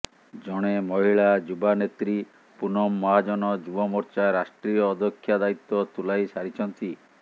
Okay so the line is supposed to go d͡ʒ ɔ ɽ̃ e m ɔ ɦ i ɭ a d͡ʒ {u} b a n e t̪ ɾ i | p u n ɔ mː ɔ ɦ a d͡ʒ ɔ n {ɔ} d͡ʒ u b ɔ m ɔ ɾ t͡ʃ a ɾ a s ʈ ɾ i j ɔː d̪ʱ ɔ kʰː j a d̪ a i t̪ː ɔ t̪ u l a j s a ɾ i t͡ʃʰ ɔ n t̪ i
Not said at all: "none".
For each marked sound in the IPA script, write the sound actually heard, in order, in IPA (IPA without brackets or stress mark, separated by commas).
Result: u, ɔ